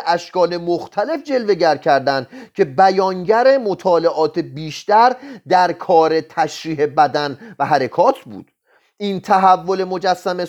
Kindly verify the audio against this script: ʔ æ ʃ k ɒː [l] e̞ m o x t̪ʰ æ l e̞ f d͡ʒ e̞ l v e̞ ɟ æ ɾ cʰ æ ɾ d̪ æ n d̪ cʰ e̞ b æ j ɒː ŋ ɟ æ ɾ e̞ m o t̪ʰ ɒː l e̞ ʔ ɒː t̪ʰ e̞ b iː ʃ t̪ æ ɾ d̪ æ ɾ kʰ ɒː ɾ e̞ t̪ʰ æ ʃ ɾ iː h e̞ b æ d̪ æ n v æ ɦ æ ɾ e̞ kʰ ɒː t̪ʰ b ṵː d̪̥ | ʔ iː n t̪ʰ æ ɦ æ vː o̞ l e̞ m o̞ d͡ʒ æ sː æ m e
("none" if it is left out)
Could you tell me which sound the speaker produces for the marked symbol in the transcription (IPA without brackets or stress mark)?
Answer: l